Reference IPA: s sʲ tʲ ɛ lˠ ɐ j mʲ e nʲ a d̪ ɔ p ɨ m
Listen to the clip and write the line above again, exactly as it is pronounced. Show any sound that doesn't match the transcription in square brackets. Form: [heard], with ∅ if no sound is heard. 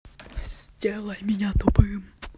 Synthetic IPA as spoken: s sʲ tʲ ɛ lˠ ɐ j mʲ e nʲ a [t̪] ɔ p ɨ m